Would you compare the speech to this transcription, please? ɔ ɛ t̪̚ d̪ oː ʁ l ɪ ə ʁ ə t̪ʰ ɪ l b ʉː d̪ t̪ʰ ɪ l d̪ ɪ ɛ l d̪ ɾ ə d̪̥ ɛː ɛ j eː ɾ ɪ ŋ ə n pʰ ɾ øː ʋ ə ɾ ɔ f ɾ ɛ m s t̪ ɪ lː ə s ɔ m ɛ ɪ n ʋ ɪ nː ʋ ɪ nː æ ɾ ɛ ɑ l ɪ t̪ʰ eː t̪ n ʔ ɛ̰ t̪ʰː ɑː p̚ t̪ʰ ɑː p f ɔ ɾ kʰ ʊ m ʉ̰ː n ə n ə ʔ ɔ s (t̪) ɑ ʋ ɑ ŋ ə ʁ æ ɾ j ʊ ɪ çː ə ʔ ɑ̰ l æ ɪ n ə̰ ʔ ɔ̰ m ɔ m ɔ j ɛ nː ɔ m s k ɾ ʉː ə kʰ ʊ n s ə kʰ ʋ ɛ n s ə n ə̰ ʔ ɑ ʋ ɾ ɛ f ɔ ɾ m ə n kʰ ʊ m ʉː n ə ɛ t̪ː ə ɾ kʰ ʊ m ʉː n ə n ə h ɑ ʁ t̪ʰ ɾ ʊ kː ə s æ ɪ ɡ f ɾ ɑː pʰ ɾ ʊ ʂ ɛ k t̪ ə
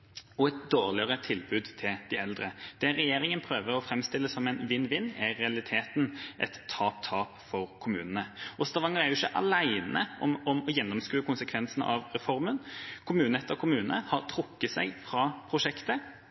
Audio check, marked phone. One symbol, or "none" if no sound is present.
t̪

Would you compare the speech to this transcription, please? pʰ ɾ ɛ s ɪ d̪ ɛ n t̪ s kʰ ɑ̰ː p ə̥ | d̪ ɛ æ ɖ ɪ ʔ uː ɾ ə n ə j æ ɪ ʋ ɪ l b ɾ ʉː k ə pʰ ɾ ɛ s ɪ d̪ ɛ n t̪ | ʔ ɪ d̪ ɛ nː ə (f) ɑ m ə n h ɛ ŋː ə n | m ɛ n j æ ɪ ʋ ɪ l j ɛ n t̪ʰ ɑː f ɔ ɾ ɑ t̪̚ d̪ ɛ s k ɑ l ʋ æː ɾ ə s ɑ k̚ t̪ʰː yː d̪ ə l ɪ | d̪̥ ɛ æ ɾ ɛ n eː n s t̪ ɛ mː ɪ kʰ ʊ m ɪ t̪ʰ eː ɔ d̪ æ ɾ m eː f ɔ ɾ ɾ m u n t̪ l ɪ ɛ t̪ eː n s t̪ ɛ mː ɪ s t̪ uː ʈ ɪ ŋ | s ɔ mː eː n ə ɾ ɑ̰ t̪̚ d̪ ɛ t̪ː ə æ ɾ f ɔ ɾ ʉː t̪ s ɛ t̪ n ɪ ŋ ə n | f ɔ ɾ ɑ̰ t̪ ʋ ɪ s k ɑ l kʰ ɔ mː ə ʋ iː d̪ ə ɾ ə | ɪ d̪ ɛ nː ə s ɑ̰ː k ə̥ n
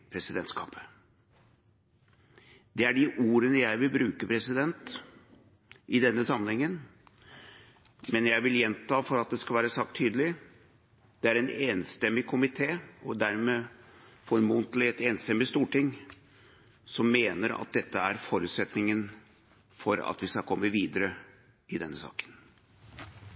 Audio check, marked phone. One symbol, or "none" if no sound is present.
s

